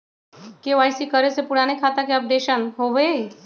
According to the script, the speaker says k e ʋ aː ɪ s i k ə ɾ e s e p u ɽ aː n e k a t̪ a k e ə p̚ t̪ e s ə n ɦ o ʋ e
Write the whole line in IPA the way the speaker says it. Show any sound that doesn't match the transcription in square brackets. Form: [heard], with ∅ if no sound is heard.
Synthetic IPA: k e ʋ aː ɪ s i k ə ɾ e s e p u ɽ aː n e [kʰ] a t̪ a k e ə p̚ [d̪] e [ʃ] ə n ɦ o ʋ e